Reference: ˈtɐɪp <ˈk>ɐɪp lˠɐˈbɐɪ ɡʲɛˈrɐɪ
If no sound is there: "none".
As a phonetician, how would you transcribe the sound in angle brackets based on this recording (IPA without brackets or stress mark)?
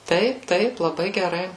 t